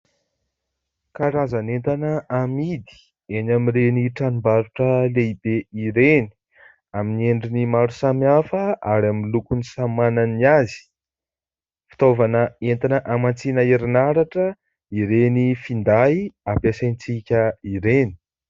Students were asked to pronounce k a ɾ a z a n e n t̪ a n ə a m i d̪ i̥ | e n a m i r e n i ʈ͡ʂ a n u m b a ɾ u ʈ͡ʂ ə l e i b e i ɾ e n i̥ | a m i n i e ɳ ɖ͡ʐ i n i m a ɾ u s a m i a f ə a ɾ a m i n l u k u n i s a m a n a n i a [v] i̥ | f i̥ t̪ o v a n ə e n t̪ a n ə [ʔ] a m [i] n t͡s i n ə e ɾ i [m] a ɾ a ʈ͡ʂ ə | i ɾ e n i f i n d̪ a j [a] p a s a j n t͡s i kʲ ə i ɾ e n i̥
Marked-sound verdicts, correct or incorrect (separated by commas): incorrect, correct, incorrect, incorrect, correct